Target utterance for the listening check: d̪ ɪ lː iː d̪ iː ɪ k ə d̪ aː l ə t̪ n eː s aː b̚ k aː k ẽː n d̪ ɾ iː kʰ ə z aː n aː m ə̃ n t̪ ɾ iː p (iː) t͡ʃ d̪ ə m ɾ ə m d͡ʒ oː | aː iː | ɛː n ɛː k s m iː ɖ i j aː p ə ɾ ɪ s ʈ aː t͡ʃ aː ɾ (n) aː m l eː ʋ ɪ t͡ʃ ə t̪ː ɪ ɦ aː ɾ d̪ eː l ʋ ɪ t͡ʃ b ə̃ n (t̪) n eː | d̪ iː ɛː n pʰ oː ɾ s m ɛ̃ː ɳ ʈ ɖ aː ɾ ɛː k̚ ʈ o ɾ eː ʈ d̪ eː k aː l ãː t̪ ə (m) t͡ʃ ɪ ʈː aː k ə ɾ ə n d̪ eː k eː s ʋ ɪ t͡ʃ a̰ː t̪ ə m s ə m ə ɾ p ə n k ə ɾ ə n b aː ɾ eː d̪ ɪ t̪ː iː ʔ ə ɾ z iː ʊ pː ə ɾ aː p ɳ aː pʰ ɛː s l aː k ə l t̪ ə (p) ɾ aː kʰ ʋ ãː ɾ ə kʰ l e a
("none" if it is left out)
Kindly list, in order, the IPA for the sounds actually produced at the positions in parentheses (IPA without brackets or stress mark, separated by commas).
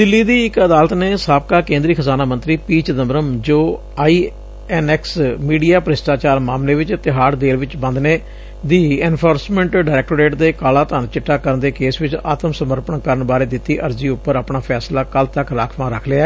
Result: iː, m, d̪, n, k